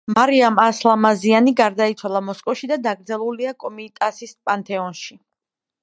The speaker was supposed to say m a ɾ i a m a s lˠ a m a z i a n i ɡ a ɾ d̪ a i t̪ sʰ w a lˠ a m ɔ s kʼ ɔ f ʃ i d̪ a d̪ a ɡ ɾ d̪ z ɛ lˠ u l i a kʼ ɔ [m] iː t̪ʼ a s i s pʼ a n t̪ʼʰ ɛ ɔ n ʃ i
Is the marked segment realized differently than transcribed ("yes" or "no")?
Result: no